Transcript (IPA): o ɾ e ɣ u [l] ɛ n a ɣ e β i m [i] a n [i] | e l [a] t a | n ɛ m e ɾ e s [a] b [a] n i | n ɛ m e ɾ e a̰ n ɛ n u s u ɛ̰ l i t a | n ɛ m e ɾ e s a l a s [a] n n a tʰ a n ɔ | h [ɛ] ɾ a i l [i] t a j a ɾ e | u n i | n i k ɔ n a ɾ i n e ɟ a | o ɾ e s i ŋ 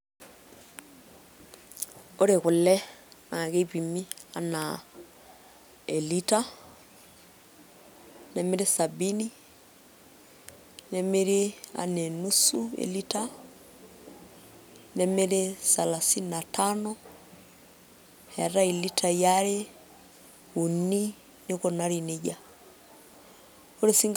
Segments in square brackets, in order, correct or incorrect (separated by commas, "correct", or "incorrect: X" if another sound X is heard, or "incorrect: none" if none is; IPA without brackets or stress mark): correct, correct, incorrect: a, incorrect: i, correct, incorrect: i, incorrect: i, correct, correct